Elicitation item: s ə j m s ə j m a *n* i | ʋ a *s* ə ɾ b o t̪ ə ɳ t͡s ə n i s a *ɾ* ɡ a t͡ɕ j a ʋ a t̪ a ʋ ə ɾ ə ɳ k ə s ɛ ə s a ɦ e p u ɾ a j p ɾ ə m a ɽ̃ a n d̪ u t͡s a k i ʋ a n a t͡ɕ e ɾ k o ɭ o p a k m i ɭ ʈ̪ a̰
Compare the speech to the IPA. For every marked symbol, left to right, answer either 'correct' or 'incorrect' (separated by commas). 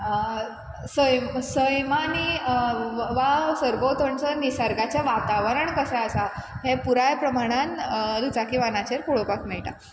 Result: correct, correct, correct